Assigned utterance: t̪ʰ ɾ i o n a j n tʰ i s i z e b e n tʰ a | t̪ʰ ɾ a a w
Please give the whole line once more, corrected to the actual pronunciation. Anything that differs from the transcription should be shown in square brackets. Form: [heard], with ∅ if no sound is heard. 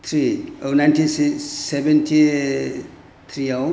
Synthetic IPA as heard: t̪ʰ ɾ i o n a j n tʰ i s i [s] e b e n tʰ [i] | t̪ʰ ɾ [i] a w